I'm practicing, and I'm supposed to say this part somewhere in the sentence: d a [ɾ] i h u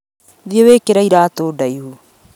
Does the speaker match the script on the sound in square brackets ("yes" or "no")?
no